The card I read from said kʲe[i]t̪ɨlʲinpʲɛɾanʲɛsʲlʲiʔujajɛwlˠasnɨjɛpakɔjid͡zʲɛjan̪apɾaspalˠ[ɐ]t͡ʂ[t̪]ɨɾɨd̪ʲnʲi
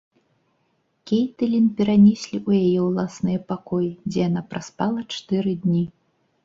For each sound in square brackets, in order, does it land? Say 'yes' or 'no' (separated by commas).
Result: no, yes, yes